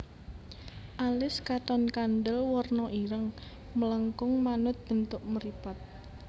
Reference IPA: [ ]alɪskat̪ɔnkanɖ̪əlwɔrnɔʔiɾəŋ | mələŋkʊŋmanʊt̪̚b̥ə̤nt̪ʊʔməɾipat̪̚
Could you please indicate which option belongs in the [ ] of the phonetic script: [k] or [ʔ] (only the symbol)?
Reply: ʔ